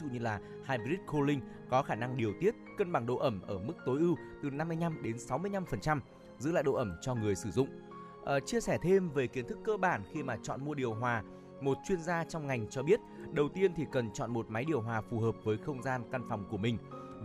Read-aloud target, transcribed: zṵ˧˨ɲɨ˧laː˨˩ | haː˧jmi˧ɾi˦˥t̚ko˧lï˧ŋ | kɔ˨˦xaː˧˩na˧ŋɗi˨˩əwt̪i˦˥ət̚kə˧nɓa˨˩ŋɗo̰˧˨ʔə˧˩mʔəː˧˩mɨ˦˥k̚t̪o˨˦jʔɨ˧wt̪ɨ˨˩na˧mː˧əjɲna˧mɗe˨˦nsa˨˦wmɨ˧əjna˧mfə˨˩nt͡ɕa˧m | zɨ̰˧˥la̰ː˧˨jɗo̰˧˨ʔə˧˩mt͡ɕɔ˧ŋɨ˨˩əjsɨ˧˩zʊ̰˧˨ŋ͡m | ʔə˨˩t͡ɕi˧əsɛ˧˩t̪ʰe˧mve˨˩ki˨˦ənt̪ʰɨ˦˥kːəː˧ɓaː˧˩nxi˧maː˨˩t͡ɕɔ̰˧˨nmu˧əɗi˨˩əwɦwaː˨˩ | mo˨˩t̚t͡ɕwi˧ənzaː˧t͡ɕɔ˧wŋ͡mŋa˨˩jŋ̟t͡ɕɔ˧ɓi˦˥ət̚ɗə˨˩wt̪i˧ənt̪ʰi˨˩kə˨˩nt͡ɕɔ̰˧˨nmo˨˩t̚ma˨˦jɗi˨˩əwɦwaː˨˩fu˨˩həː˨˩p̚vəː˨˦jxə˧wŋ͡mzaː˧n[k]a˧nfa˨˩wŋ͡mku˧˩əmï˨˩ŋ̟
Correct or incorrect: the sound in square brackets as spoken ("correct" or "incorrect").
correct